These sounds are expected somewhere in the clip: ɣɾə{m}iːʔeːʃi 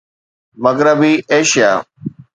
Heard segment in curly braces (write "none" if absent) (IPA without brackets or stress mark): b